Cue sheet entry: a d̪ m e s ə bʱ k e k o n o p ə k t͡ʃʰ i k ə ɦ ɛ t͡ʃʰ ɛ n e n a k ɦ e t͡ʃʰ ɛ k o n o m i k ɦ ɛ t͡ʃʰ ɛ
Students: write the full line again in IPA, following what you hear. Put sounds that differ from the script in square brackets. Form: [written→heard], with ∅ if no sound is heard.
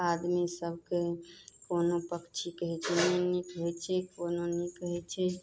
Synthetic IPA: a d̪ m [e→i] s ə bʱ k e k o n o p ə k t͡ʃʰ i k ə ɦ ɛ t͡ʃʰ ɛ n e n [a→i] k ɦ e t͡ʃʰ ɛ k o n o [m→n] i k ɦ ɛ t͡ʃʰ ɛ

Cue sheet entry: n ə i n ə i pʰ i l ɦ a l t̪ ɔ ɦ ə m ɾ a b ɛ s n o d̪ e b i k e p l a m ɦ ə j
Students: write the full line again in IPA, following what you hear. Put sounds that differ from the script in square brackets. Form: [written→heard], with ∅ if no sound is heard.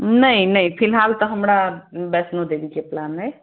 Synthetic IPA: n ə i n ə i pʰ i l ɦ a l t̪ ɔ ɦ ə m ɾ a b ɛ s n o d̪ e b i k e p l a [m→n] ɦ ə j

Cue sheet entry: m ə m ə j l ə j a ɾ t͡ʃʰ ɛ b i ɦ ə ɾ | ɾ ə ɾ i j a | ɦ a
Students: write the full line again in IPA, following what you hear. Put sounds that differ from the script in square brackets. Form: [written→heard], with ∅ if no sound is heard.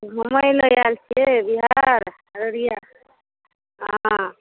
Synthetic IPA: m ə m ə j l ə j a [ɾ→l] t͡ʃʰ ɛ b i ɦ [ə→a] ɾ | ɾ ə ɾ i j a | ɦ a

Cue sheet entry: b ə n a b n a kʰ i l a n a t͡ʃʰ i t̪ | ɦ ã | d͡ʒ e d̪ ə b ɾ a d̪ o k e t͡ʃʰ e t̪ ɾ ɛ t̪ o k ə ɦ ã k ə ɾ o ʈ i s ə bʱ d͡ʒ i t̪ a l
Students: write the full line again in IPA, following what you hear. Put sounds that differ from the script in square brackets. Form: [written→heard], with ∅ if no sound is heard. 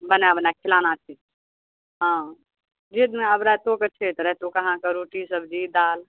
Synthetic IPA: b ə n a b n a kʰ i l a n a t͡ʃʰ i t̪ | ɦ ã | d͡ʒ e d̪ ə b ɾ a [d̪→t̪] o k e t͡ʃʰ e t̪ ɾ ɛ t̪ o k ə ɦ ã k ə ɾ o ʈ i s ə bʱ d͡ʒ i [t̪→d̪] a l

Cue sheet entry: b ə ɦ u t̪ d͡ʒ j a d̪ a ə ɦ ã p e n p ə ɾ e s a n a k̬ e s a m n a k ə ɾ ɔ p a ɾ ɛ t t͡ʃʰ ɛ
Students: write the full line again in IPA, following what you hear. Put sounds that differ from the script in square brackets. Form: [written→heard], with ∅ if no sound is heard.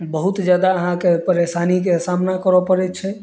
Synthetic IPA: b ə ɦ u t̪ d͡ʒ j a d̪ a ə ɦ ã [p→k] e [n→∅] p ə ɾ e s a n [a→i] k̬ e s a m n a k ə ɾ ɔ p [a→ə] ɾ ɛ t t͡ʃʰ ɛ

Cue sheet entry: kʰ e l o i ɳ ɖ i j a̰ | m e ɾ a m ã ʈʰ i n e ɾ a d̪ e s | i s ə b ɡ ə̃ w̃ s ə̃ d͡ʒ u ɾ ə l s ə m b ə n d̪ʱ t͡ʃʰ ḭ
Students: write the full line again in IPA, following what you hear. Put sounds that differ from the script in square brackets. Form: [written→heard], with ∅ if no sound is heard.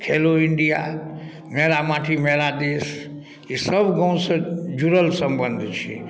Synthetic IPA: kʰ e l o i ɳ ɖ i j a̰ | m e ɾ a m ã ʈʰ i [n→m] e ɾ a d̪ e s | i s ə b ɡ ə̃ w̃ s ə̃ d͡ʒ u ɾ ə l s ə m b ə n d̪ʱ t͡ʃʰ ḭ

